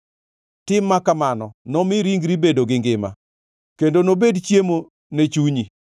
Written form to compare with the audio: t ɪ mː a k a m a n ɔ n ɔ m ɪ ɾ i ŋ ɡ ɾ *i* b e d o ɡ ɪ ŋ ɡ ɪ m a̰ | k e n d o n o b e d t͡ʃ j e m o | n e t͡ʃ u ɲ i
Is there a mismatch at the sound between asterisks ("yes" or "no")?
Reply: no